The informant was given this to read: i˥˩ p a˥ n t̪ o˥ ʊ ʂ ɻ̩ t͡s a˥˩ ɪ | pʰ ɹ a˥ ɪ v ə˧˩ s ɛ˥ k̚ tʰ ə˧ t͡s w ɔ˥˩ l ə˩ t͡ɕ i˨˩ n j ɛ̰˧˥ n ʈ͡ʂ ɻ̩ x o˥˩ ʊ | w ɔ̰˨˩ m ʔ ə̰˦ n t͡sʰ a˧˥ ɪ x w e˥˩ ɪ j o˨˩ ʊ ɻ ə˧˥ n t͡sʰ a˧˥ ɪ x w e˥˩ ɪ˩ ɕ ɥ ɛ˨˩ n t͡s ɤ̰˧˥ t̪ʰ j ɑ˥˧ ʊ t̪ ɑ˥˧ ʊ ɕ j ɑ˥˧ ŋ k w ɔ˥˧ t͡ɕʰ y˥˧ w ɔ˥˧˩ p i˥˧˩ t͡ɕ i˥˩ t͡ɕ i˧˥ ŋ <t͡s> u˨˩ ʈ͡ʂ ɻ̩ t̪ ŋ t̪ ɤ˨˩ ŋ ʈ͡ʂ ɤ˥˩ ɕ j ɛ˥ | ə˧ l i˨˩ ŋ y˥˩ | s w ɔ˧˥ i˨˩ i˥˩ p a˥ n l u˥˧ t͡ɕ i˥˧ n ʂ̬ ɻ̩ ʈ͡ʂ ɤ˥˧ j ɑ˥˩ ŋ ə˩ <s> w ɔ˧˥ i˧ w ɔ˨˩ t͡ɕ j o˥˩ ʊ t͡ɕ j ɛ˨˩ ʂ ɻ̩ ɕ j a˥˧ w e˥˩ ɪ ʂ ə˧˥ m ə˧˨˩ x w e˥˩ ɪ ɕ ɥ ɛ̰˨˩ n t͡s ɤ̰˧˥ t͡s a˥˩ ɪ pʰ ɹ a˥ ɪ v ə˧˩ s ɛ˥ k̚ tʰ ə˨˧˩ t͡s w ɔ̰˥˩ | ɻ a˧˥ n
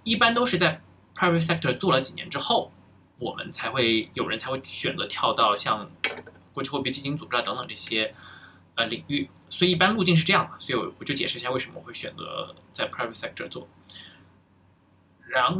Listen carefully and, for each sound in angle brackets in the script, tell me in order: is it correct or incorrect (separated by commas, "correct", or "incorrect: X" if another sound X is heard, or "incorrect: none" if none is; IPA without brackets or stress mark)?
correct, correct